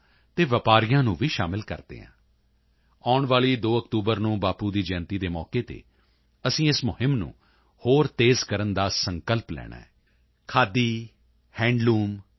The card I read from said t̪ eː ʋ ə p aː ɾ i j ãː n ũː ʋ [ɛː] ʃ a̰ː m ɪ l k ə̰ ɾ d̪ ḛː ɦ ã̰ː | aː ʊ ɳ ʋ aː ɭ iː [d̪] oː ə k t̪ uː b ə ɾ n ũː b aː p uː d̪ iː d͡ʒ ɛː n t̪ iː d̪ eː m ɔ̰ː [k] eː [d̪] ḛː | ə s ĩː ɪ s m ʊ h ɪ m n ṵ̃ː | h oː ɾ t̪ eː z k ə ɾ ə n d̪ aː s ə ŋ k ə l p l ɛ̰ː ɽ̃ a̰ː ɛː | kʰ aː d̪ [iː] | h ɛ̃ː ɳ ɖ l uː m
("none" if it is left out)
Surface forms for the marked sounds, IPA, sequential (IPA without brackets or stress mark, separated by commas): iː, d̪, k, t̪, iː